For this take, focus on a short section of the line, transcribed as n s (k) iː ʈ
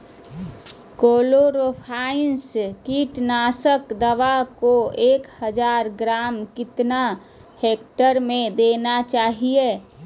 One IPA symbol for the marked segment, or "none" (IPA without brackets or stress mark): k